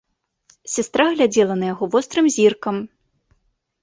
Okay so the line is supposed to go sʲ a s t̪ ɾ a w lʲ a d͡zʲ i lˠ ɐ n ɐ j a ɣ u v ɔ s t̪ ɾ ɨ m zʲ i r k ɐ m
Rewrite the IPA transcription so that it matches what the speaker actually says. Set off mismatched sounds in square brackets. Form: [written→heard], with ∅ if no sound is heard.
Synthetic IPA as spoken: sʲ a s t̪ ɾ a [w→ɣ] lʲ a d͡zʲ [i→ɛ] lˠ ɐ n ɐ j a ɣ [u→ɔ] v ɔ s t̪ ɾ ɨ m zʲ i r k ɐ m